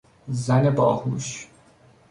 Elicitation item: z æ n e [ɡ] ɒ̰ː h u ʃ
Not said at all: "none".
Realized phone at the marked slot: b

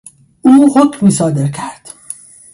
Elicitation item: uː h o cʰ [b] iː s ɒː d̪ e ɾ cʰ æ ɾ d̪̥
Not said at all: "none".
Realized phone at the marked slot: m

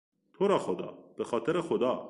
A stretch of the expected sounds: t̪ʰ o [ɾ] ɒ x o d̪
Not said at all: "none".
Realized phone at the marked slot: ɾ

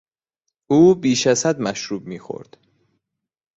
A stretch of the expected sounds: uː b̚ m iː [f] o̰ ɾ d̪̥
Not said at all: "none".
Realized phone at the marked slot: x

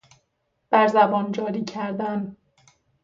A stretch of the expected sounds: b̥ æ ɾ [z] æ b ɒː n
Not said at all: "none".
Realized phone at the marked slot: z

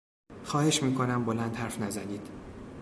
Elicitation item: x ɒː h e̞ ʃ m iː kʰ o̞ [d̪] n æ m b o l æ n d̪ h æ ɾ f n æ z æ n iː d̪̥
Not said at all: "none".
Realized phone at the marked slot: none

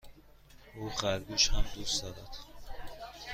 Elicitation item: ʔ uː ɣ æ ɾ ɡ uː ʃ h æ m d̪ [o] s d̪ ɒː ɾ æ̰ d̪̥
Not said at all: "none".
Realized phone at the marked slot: u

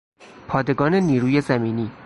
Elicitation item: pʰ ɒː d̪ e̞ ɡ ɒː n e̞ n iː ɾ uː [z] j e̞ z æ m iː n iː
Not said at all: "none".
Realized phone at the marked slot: none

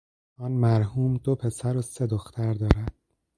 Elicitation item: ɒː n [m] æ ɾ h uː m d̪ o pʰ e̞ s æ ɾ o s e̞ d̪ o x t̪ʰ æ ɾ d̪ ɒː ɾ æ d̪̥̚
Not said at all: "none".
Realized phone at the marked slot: m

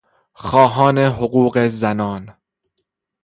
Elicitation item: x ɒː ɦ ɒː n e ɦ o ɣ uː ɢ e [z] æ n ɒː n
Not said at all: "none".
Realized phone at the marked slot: z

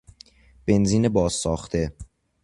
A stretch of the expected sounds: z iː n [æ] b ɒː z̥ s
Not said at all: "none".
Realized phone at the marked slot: e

